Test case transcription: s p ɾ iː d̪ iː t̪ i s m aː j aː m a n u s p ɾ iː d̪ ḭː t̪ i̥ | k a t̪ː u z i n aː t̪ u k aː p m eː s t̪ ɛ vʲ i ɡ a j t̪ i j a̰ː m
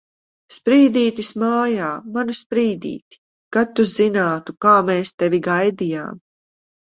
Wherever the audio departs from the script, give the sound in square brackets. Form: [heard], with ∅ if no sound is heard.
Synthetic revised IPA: s p ɾ iː d̪ iː t̪ i s m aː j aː m a n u s p ɾ iː d̪ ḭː t̪ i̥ | k a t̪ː u z i n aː t̪ u k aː [∅] m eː s t̪ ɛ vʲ i ɡ a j [d̪] i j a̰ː m